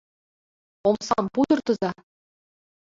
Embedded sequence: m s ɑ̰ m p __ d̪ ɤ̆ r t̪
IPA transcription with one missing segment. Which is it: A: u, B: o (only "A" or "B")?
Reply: A